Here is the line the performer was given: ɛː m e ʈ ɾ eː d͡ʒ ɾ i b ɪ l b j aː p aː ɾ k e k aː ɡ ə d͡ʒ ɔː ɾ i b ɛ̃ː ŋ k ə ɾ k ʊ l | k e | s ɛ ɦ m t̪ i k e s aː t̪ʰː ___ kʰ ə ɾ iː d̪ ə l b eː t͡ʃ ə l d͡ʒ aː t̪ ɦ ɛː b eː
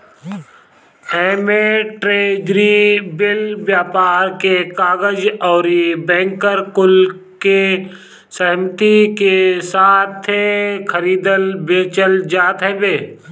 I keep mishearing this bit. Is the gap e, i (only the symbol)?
e